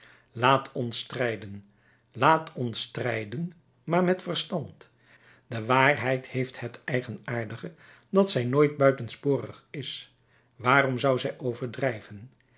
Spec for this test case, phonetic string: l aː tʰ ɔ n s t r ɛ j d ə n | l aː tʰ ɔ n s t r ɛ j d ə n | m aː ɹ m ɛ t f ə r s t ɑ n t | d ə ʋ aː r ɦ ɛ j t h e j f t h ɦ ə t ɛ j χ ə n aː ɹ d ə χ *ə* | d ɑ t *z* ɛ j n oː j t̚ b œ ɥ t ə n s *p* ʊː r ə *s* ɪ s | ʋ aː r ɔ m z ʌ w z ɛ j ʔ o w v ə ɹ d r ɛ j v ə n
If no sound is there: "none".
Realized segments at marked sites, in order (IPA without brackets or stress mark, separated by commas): ə, s, p, χ